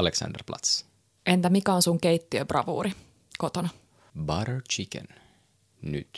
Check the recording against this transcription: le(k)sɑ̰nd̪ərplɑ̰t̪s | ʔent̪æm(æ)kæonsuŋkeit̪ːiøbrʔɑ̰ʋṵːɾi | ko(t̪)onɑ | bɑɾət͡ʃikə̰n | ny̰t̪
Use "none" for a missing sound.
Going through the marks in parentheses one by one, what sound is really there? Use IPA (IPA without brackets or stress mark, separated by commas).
k, i, t̪